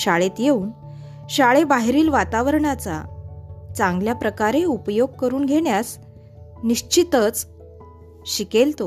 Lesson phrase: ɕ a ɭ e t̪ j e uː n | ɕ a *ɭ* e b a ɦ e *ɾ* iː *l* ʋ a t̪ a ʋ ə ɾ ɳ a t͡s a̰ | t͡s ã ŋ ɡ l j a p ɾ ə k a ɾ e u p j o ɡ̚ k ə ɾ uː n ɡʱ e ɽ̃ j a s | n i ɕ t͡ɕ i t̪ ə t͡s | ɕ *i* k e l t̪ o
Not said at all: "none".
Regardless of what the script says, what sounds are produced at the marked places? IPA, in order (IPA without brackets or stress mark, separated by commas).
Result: ɭ, ɾ, l, i